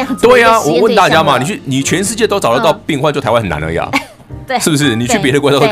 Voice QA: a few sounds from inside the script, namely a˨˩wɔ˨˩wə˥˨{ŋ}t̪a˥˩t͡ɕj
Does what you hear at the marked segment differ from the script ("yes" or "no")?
yes